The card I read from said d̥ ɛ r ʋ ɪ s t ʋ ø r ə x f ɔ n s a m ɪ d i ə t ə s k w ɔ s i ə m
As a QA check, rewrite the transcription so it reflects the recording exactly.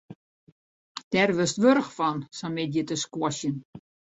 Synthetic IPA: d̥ ɛ r ʋ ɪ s t ʋ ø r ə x f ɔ n s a m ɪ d j ə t ə s k w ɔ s j ə n